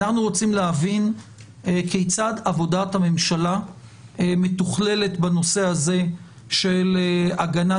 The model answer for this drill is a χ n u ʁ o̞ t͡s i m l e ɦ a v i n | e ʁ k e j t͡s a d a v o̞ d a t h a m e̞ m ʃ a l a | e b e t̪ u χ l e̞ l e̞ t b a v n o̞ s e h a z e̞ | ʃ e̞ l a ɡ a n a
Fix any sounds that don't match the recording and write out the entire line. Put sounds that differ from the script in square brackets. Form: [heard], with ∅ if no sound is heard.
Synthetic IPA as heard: a χ n u ʁ o̞ t͡s i m l e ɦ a v i n | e [∅] k e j t͡s a d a v o̞ d a t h a m e̞ m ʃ a l a | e [m] e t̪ u χ l e̞ l e̞ t b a [∅] n o̞ s e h a z e̞ | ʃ e̞ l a ɡ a n a